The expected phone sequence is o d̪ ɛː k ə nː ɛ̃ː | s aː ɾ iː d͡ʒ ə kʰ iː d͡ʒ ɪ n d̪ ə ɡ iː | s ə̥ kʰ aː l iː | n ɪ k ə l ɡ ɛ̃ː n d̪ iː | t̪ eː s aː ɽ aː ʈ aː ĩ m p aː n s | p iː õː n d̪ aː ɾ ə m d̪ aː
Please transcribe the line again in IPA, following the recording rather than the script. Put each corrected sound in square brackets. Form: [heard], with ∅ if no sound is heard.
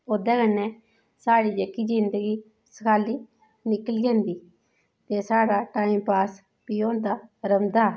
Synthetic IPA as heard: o d̪ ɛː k ə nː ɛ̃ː | s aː [ɽ] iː d͡ʒ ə [k] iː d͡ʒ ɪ n d̪ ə ɡ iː | s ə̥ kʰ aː l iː | n ɪ k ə l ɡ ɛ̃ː n d̪ iː | t̪ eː s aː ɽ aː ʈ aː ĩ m p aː [∅] s | p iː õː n d̪ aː ɾ ə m d̪ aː